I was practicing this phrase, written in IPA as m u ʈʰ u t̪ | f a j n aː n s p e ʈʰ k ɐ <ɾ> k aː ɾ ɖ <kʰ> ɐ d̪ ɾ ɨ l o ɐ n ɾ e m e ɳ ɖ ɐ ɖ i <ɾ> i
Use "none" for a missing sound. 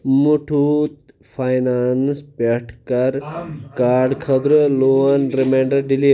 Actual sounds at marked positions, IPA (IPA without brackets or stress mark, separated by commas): ɾ, kʰ, l